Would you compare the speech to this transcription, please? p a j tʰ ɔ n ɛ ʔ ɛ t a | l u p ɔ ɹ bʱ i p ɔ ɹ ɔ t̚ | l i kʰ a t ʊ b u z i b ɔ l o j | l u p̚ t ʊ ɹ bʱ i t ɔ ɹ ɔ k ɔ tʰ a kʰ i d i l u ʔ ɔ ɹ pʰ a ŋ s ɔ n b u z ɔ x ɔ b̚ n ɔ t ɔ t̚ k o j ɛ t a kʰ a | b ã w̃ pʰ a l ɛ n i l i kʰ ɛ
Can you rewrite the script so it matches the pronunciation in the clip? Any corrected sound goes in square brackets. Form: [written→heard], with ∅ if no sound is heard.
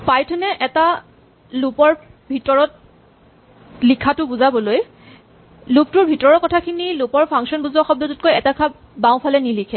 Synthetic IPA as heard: p a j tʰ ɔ n ɛ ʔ ɛ t a | l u p ɔ ɹ bʱ i [p→t] ɔ ɹ ɔ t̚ | l i kʰ a t ʊ b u z [i→a] b ɔ l o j | l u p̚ t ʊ ɹ bʱ i t ɔ ɹ ɔ k ɔ tʰ a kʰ i [d→n] i l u [ʔ→p] ɔ ɹ pʰ a ŋ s ɔ n b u z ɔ x ɔ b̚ [n→d] ɔ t ɔ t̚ k o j ɛ t a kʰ a | b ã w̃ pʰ a l ɛ n i l i kʰ ɛ